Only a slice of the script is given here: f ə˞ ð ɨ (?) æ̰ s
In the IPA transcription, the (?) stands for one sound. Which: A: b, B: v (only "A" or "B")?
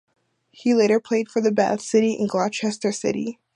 A